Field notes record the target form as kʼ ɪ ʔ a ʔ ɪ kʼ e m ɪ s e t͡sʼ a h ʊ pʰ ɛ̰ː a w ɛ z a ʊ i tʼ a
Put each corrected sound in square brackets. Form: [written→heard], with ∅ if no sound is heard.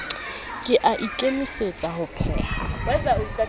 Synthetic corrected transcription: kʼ ɪ ʔ a ʔ [ɪ→i] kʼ e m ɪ s e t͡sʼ a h ʊ pʰ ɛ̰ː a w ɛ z a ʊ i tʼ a

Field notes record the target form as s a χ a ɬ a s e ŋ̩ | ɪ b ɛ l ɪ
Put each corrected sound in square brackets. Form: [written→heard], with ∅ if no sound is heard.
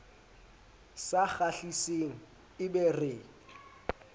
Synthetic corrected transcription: s a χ a ɬ [a→i] s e ŋ̩ | ɪ b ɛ [l→r] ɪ

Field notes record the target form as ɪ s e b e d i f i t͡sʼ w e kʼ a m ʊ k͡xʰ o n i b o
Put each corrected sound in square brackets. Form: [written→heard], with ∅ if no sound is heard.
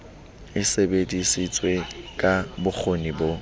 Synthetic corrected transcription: ɪ s e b e d i [f→s] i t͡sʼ w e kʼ a [m→b] ʊ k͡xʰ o n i b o

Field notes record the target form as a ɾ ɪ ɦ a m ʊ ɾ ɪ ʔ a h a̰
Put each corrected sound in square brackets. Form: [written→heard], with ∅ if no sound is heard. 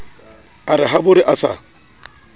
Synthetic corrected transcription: a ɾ ɪ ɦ a [m→b] ʊ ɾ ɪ ʔ a [h→s] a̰

